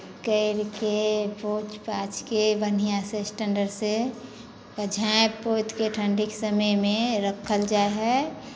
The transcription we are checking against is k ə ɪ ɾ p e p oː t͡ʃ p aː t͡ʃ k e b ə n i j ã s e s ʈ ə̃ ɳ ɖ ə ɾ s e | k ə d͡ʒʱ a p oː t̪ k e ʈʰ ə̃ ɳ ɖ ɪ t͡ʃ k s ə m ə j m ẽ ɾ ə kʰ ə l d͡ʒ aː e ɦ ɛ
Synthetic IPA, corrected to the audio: k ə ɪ ɾ k e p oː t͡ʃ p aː t͡ʃ k e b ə n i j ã s e s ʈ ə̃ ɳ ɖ ə ɾ s e | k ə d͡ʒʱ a p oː t̪ k e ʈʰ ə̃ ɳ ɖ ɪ k s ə m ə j m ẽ ɾ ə kʰ ə l d͡ʒ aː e ɦ ɛ